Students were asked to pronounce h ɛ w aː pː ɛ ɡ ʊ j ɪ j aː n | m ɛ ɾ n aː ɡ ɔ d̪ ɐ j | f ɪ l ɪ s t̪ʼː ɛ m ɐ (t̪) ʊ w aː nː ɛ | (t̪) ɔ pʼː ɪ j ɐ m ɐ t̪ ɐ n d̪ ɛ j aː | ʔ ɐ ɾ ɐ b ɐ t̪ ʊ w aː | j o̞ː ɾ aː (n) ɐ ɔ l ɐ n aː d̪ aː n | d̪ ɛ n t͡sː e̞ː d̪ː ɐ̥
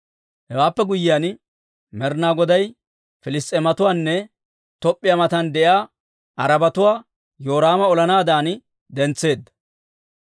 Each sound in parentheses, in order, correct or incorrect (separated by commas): correct, correct, incorrect